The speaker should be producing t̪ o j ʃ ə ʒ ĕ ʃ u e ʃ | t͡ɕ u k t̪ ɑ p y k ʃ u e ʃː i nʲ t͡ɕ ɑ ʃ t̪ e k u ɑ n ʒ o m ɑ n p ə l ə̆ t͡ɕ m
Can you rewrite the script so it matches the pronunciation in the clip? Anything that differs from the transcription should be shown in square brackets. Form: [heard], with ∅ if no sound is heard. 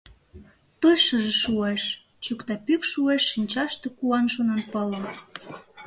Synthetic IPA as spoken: t̪ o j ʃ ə ʒ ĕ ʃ u e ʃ | t͡ɕ u k t̪ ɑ p y k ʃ u e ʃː i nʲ t͡ɕ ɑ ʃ t̪ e k u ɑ n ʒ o [n] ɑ n p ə l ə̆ [∅] m

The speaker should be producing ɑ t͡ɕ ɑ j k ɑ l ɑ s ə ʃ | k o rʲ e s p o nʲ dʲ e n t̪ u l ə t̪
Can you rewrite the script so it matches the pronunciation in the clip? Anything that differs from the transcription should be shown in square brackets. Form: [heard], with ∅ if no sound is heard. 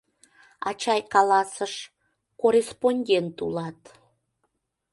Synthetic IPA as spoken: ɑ t͡ɕ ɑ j k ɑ l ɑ s ə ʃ | k o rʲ e s p o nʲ dʲ e n t̪ u l [ɑ] t̪

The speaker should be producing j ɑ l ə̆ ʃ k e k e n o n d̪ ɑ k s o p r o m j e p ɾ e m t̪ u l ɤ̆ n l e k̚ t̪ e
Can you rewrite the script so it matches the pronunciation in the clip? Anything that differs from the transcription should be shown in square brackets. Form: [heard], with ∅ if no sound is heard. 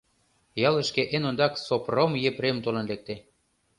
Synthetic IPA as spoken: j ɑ l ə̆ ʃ k e [ʔ] e n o n d̪ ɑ k s o p r o m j e p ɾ e m t̪ [o] l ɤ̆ n l e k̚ t̪ e

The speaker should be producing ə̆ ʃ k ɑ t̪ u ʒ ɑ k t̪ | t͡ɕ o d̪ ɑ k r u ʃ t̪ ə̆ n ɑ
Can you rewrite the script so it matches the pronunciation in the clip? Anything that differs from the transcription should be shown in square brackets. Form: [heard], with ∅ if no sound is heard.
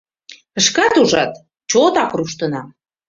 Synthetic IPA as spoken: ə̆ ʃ k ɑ t̪ u ʒ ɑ [∅] t̪ | t͡ɕ o [t̪] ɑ k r u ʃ t̪ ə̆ n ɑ

